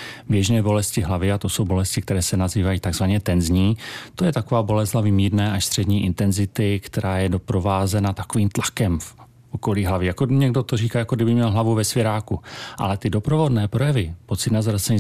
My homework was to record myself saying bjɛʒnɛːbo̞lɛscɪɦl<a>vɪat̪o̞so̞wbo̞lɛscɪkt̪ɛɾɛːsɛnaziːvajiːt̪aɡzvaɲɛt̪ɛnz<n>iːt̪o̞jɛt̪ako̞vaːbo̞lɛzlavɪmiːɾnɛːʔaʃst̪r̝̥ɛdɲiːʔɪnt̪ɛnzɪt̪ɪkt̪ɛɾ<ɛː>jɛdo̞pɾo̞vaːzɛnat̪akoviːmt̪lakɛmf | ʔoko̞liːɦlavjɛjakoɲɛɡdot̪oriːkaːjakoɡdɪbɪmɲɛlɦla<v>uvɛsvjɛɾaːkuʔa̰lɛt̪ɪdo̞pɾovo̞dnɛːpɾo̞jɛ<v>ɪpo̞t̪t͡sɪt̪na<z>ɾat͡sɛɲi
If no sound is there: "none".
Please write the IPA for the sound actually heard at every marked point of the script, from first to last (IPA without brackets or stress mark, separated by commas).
a, ɲ, aː, v, v, z